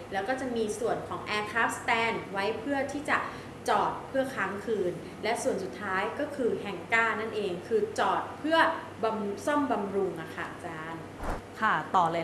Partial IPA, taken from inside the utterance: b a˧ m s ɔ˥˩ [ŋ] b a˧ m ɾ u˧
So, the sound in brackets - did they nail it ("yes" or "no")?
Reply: no